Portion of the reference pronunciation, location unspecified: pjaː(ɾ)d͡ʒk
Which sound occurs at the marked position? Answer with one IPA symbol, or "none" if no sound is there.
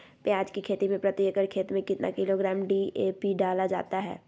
none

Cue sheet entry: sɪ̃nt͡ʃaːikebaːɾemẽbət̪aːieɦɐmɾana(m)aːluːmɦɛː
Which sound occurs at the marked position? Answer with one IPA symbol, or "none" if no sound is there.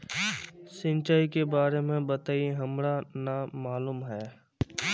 m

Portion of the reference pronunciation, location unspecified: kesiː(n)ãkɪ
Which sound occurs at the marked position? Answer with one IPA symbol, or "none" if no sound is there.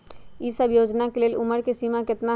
m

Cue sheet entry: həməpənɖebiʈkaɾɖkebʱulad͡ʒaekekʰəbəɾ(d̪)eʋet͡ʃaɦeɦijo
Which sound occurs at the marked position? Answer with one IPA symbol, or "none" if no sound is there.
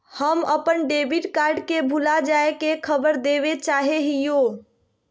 d̪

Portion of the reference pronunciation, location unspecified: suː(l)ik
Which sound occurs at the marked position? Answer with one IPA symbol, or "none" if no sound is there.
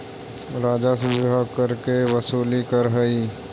l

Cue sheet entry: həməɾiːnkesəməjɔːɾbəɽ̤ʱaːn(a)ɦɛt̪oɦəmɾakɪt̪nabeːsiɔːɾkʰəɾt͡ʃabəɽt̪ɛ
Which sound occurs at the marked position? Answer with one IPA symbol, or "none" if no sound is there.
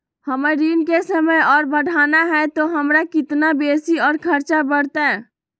a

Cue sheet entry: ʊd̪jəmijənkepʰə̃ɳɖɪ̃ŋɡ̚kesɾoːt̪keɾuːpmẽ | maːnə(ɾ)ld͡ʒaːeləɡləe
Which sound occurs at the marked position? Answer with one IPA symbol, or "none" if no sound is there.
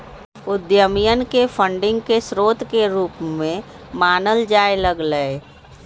none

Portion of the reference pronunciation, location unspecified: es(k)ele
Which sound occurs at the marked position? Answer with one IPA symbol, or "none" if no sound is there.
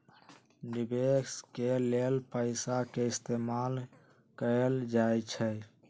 k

